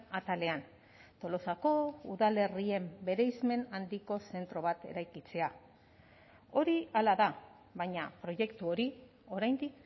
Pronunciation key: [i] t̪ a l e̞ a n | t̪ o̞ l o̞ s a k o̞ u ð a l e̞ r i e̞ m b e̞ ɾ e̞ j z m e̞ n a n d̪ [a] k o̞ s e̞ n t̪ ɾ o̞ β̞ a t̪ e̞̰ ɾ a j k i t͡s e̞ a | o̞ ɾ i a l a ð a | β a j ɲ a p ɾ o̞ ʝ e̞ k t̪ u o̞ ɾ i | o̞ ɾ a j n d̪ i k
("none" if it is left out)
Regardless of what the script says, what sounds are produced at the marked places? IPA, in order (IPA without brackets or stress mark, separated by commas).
a, i